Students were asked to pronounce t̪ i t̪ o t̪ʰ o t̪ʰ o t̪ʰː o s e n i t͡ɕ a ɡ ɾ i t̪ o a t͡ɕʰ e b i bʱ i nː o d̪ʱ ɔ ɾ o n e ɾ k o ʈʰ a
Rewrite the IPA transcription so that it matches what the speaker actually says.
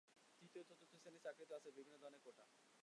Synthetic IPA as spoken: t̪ i t̪ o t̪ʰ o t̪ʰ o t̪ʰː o s e n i t͡ɕ a k ɾ i t̪ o a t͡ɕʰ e b i bʱ i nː o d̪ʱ ɔ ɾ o n e ɾ k o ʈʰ a

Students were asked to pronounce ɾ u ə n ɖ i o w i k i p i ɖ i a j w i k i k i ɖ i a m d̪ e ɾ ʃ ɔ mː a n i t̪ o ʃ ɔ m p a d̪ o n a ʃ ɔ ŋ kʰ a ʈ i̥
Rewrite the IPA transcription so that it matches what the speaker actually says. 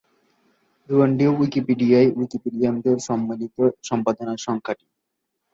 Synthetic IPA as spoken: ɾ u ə ɳ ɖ i o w i k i p i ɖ i a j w i k i p i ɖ i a m d̪ e ɾ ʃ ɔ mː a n i t̪ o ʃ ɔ m p a d̪ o n a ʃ ɔ ŋ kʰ a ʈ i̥

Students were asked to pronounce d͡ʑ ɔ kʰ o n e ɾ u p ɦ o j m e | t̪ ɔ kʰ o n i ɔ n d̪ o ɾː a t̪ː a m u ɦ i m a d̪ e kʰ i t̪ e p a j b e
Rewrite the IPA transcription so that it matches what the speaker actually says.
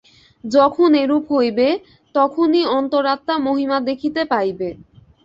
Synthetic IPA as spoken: d͡ʑ ɔ kʰ o n e ɾ u p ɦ o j b e | t̪ ɔ kʰ o n i ɔ n t̪ o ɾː a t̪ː a m o ɦ i m a d̪ e kʰ i t̪ e p a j b e

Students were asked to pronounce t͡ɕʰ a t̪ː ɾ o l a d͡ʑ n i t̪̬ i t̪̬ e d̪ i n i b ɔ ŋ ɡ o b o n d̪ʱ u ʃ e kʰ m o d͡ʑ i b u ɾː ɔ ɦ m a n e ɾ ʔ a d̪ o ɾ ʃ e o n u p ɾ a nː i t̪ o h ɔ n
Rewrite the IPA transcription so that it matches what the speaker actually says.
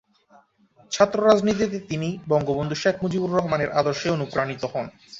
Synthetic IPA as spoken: t͡ɕʰ a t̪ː ɾ o ɾ a d͡ʑ n i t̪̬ i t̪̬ e t̪ i n i b ɔ ŋ ɡ o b o n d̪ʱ u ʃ e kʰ m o d͡ʑ i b u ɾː ɔ ɦ m a n e ɾ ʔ a d̪ o ɾ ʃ e o n u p ɾ a n i t̪ o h ɔ n

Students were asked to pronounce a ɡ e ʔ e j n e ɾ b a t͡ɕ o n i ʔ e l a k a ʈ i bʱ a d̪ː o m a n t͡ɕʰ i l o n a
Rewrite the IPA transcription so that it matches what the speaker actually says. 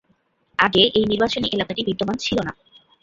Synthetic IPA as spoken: a ɡ e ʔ e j n i ɾ b a t͡ɕ o n i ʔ e l a k a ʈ i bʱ i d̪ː o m a n t͡ɕʰ i l o n a

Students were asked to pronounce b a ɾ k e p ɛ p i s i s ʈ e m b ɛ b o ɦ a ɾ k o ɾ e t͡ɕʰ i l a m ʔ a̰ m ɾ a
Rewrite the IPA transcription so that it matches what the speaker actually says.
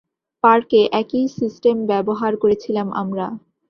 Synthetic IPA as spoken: p a ɾ k e ʔ ɛ k i s i s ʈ e m b ɛ b o ɦ a ɾ k o ɾ e t͡ɕʰ i l a m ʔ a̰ m ɾ a

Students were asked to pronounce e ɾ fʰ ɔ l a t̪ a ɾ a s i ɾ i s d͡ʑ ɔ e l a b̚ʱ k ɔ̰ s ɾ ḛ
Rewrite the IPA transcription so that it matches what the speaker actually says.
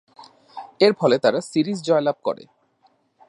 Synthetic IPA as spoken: e ɾ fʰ ɔ l e t̪ a ɾ a s i ɾ i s d͡ʑ ɔ e l a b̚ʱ k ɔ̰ ɾ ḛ

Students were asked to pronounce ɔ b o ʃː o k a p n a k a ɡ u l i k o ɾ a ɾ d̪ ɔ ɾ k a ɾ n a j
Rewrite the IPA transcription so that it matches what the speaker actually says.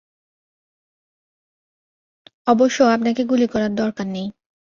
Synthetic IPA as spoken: ɔ b o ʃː o a p n a k e ɡ u l i k ɔ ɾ a ɾ d̪ ɔ ɾ k a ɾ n e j

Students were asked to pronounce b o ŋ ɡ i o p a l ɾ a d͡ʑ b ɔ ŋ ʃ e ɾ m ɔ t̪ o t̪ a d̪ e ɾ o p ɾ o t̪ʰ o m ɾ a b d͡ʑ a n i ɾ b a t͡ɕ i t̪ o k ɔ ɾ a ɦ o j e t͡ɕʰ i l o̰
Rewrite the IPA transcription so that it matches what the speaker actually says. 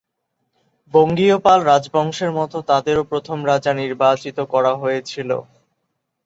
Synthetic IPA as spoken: b o ŋ ɡ i o p a l ɾ a d͡ʑ b ɔ ŋ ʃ e ɾ m ɔ t̪ o t̪ a d̪ e ɾ o p ɾ o t̪ʰ o m ɾ a d͡ʑ a n i ɾ b a t͡ɕ i t̪ o k ɔ ɾ a ɦ o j e t͡ɕʰ i l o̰

